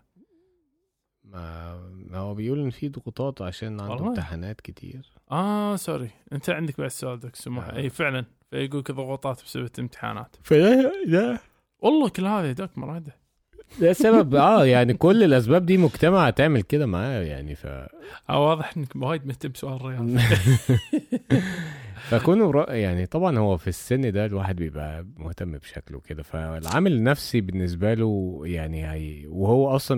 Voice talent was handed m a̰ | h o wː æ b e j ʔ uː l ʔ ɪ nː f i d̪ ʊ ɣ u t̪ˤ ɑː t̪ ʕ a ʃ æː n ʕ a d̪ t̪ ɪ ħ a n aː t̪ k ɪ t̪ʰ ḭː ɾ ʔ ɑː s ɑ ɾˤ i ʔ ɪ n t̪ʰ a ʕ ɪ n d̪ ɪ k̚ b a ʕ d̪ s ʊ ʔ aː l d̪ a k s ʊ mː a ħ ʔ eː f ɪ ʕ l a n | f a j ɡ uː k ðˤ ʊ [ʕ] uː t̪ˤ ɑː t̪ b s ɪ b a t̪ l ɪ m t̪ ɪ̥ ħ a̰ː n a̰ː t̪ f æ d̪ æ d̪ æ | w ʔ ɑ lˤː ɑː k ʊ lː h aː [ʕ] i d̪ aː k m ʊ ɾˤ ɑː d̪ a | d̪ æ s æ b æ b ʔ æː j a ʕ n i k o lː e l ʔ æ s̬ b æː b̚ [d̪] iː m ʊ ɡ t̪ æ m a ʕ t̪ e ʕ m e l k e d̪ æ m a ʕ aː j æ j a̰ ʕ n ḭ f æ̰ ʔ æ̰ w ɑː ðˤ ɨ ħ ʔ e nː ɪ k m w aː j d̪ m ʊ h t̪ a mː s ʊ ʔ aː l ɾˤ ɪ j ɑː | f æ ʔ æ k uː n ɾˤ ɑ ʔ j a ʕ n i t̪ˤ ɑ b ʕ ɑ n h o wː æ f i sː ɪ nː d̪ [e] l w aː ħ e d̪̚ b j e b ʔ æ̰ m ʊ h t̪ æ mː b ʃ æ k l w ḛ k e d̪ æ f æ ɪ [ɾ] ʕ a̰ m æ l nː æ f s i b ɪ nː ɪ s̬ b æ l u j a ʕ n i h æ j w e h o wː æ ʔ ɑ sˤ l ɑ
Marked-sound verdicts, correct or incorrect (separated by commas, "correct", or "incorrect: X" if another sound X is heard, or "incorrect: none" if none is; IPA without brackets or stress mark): incorrect: ɣ, incorrect: ð, correct, incorrect: æ, incorrect: l